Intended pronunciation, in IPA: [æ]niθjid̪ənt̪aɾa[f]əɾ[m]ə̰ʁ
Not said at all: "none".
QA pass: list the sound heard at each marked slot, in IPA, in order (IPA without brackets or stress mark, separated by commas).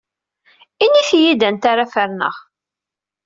i, f, n